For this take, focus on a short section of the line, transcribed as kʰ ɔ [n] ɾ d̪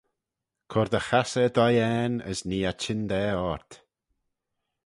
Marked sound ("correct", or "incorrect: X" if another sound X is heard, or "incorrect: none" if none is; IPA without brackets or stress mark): incorrect: none